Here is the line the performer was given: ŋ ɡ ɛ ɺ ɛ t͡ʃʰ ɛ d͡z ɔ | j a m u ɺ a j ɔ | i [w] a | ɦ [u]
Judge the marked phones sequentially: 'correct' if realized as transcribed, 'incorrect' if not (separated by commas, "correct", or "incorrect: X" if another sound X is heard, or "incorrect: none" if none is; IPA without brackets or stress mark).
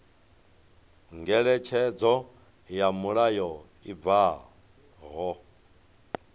incorrect: v, incorrect: ɔ